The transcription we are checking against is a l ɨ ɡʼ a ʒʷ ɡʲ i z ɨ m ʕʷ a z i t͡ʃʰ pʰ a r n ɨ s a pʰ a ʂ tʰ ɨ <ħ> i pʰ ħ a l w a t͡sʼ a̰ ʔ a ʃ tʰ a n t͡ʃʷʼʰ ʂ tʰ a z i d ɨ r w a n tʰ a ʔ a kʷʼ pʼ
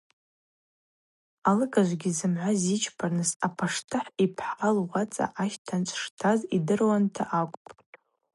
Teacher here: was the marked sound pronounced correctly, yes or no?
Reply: yes